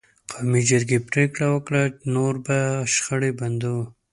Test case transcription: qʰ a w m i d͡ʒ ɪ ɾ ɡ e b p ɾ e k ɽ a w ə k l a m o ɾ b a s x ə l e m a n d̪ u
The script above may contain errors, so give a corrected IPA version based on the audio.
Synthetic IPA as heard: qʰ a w m i d͡ʒ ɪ ɾ ɡ e p ɾ e k ɽ a w ə k ɽ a n o ɾ b a ʃ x ə ɽ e b a n d̪ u